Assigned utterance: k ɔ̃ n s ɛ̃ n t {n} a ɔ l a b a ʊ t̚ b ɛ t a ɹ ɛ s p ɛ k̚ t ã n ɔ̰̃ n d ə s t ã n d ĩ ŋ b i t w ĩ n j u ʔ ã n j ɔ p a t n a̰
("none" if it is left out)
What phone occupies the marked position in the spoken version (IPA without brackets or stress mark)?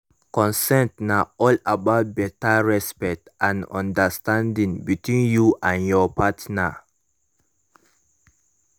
n